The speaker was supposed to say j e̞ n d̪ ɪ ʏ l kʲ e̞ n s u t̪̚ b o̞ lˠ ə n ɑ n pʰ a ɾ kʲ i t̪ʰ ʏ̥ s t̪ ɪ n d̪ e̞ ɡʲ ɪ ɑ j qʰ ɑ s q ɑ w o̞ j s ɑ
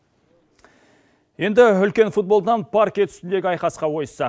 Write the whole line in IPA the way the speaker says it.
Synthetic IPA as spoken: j e̞ n d̪ ɪ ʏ l kʲ e̞ n f u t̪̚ b o̞ lˠ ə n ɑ n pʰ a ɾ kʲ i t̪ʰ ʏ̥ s t̪ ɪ n d̪ e̞ ɡʲ ɪ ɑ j q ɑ s q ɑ w o̞ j s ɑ